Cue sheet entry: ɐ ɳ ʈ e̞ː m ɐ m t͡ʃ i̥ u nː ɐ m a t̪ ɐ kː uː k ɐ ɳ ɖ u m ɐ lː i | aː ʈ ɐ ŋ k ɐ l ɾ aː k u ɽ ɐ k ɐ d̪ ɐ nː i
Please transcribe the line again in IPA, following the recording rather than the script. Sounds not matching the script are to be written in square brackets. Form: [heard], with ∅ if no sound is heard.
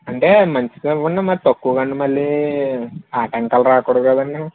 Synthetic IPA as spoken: ɐ ɳ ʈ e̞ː m ɐ [ɲ] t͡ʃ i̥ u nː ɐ m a t̪ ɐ kː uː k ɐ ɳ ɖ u m ɐ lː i | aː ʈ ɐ ŋ k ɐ l ɾ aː k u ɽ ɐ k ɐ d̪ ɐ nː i